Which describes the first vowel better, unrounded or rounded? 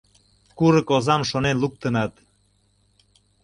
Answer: rounded